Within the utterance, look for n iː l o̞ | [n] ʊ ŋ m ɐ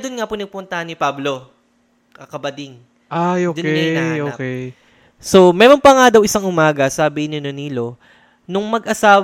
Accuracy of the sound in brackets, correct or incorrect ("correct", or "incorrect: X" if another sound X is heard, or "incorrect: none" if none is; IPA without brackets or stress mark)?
correct